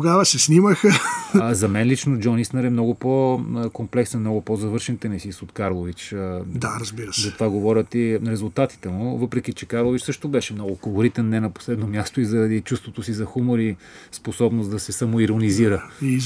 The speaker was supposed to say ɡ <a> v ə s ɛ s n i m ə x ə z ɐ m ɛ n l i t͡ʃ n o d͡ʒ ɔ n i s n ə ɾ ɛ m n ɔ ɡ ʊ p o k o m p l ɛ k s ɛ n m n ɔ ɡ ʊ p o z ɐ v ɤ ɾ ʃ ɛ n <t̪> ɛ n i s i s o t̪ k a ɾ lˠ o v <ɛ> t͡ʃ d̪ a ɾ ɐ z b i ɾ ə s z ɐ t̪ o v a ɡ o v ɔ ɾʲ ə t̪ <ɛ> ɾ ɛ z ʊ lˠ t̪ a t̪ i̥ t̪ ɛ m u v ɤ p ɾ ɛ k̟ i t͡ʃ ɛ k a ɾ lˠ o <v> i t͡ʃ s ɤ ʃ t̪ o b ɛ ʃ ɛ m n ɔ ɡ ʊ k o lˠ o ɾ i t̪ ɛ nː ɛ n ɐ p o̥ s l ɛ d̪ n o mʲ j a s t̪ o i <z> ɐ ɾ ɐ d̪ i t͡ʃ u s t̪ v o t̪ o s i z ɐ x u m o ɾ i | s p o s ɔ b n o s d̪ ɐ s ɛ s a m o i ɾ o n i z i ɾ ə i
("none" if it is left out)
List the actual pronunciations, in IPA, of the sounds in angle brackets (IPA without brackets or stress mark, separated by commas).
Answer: a, t̪, i, i, v, z